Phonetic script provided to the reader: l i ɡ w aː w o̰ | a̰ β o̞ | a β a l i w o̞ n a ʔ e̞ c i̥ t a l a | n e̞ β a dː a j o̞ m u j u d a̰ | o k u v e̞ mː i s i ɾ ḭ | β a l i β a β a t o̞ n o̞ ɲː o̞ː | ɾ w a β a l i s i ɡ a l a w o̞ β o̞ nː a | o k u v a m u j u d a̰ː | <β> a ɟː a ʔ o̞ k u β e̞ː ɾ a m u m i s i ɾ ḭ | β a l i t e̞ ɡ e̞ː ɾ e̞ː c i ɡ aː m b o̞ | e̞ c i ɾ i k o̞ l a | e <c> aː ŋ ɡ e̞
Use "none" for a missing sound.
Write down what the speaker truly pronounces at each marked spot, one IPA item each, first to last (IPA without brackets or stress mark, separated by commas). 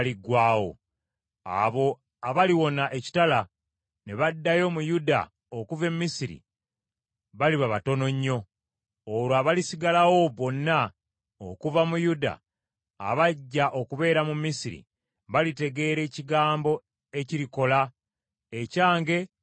β, c